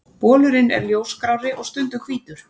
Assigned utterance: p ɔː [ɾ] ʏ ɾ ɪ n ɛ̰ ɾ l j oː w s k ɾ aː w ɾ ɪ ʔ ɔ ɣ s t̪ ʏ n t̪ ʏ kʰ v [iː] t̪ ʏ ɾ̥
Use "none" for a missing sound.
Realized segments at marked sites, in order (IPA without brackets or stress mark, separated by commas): l, iː